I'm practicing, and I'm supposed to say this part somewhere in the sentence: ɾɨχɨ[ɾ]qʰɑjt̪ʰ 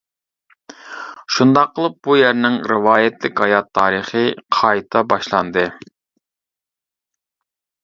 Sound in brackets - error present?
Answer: yes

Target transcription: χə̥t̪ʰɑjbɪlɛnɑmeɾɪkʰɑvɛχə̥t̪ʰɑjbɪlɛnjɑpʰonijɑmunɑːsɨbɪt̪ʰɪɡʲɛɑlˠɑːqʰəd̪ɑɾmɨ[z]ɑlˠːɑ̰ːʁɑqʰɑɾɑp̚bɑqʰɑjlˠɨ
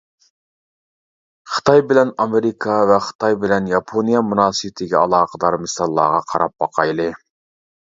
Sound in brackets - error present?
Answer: yes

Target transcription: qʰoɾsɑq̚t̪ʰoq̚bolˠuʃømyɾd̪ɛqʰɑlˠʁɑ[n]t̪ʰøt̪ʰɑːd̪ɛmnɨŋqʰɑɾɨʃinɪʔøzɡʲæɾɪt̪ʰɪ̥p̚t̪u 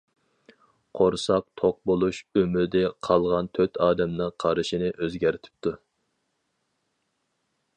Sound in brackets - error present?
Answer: no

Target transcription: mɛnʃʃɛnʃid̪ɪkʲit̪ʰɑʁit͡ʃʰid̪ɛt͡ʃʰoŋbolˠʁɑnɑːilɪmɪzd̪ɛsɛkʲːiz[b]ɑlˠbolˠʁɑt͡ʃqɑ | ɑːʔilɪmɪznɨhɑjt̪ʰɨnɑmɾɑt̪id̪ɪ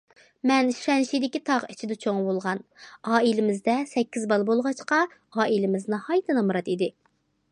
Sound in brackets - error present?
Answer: no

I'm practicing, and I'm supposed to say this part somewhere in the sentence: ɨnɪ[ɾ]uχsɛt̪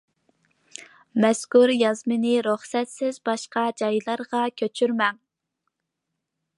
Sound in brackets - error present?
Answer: no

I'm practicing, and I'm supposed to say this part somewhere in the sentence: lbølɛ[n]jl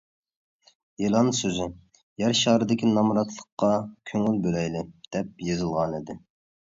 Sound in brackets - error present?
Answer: yes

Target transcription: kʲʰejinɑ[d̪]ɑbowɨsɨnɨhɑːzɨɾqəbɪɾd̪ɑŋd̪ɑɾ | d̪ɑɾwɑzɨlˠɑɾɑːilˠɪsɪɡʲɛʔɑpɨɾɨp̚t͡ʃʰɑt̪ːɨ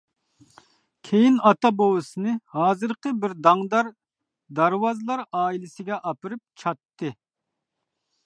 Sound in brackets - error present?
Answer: yes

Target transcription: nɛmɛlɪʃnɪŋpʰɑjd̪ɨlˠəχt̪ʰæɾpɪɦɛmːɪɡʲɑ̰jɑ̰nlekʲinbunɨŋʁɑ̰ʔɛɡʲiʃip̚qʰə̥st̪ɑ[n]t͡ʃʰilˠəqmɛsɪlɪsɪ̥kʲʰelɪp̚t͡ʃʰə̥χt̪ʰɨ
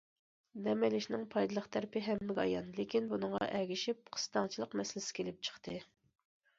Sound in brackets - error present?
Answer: yes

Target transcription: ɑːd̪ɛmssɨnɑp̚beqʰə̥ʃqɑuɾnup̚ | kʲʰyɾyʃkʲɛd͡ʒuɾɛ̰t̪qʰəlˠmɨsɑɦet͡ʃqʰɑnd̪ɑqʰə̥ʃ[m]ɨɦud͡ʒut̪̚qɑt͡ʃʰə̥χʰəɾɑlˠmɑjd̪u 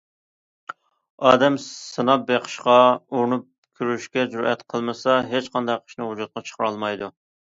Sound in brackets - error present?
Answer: yes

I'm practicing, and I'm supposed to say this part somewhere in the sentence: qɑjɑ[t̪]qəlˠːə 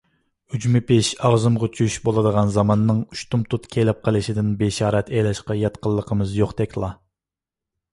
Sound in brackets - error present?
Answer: no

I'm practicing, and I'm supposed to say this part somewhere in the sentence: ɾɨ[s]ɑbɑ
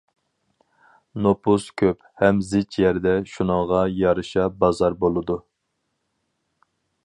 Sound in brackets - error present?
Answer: yes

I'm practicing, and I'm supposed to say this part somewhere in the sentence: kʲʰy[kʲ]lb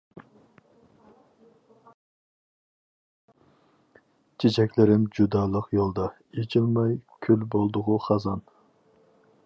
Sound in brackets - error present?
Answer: yes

